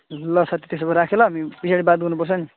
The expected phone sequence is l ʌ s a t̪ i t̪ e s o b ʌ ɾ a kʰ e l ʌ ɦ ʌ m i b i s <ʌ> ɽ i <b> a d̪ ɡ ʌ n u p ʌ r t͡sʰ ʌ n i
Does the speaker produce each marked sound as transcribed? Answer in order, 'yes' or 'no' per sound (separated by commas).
no, yes